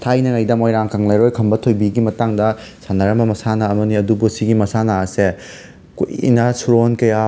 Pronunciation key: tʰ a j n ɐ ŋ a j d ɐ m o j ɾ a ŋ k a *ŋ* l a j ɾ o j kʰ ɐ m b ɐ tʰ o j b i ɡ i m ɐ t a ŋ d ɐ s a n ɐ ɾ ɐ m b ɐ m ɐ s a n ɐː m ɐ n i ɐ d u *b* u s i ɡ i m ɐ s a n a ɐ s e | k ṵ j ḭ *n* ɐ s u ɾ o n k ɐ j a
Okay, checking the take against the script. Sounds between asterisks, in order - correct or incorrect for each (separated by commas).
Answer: correct, correct, correct